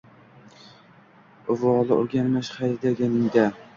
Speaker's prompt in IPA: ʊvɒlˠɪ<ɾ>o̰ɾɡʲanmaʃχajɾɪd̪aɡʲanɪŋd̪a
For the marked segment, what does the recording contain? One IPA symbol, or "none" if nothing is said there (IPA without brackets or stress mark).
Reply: none